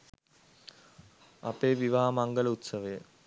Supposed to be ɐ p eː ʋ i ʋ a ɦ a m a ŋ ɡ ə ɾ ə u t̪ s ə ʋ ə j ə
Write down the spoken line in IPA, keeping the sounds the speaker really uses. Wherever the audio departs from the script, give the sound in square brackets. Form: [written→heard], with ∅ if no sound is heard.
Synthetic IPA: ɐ p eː ʋ i ʋ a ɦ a m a ŋ ɡ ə [ɾ→l] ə u t̪ s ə ʋ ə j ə